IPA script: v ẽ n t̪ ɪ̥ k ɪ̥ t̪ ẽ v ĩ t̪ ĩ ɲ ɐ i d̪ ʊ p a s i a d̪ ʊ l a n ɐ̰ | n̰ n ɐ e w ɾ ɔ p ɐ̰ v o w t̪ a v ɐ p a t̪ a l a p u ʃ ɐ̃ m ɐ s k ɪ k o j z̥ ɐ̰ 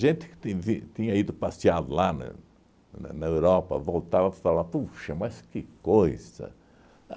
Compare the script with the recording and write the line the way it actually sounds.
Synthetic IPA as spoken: ʒ ẽ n t̪ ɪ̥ k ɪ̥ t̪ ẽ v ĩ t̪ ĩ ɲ ɐ i d̪ ʊ p a s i a d̪ ʊ l a n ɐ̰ | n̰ n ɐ e w ɾ ɔ p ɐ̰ v o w t̪ a v ɐ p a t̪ a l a p u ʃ ɐ m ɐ s k ɪ k o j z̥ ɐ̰